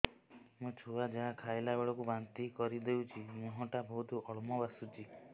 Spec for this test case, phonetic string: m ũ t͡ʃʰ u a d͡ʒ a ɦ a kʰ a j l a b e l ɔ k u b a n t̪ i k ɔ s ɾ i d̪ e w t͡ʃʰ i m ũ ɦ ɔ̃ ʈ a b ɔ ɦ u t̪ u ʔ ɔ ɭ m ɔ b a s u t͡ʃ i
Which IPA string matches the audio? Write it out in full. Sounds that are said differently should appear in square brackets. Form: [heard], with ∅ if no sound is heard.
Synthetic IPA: m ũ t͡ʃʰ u a d͡ʒ a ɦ a kʰ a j l a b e [ɭ] ɔ k u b a n t̪ i k ɔ [∅] ɾ i d̪ e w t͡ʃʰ i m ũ ɦ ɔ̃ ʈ a b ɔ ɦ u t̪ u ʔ ɔ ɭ m ɔ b a s u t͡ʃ i